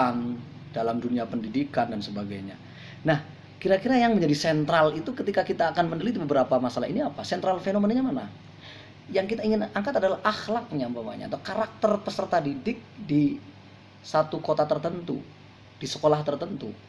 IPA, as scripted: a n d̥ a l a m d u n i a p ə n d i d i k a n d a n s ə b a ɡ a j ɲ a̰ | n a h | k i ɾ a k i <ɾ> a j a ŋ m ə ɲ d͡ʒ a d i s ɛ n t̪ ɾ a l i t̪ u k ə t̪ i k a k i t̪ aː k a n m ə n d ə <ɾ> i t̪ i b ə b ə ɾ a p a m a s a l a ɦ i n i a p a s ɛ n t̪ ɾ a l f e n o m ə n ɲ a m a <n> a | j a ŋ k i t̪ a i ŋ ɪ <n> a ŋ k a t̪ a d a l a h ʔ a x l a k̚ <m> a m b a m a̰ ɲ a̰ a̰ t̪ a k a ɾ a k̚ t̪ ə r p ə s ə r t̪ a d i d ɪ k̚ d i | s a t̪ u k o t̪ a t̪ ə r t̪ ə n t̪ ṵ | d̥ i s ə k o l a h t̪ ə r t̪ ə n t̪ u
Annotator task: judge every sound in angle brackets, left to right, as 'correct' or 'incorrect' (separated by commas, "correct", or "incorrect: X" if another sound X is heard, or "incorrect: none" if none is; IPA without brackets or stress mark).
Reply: correct, incorrect: l, correct, correct, incorrect: ɲ